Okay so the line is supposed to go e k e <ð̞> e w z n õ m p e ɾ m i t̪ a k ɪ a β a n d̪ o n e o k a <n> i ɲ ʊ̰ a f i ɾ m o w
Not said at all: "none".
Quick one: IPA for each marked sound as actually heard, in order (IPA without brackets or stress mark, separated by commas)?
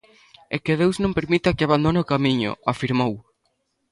ð̞, m